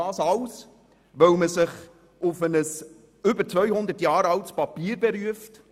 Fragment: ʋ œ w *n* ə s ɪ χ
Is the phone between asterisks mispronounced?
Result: yes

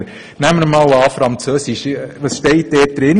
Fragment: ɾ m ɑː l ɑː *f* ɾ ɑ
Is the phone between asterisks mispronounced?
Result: no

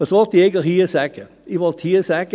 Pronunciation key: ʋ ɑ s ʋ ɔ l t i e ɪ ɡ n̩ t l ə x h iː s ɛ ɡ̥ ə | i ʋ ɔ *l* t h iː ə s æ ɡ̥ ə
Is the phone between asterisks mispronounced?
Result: no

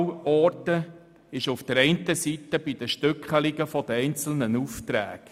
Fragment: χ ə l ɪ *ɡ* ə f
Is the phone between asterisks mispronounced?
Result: no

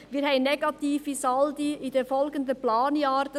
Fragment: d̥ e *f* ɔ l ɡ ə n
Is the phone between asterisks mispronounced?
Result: no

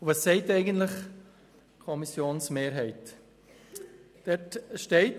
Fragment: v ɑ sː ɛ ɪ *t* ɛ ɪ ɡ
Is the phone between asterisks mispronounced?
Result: no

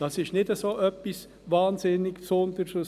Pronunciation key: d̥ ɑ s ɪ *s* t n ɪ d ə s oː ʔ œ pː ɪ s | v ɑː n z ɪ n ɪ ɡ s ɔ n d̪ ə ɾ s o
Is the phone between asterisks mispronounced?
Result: yes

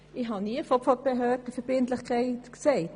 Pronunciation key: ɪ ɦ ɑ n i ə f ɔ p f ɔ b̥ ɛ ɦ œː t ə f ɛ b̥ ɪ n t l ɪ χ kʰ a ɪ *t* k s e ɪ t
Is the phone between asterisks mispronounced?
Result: no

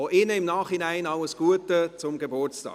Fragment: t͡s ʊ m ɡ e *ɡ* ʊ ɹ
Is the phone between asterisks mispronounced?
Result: yes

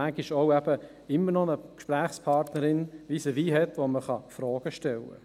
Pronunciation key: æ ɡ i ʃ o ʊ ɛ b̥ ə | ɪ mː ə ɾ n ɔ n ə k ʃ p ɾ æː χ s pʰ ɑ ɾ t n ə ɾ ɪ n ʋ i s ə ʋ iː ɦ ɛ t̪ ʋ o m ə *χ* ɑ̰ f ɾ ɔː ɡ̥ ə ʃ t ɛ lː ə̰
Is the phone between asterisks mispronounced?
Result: no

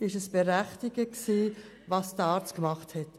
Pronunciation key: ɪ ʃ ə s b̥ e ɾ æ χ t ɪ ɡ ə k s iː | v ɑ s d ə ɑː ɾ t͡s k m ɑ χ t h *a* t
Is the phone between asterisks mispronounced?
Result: yes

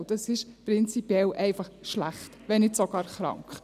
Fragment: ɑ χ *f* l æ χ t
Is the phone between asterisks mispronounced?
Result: yes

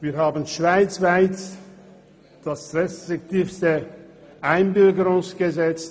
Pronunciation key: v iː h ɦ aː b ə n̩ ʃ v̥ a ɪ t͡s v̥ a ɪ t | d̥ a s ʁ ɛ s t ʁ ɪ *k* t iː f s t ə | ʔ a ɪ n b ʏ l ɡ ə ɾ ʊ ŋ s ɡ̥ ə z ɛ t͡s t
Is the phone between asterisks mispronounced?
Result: no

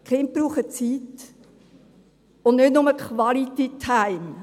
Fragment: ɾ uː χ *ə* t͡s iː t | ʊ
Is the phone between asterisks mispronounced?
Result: no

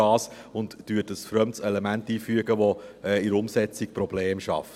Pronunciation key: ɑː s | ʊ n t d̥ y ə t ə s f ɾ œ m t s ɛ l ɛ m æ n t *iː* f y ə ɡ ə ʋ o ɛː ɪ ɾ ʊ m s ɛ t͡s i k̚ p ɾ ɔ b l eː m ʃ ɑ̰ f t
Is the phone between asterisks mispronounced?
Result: no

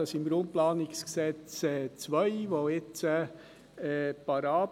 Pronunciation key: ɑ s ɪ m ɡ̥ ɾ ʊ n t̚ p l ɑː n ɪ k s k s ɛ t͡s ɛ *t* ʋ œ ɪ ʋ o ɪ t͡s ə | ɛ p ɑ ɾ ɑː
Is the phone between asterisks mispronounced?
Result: yes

